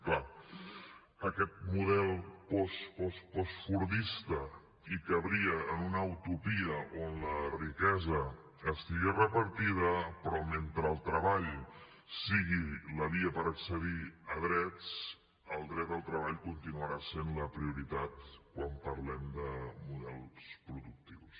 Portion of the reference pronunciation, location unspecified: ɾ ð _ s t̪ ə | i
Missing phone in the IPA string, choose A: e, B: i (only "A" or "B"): B